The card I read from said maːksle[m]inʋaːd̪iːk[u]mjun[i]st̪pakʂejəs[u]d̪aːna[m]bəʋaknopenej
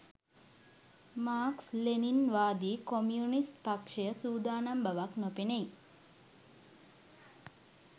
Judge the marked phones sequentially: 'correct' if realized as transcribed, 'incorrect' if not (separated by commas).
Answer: incorrect, incorrect, correct, incorrect, correct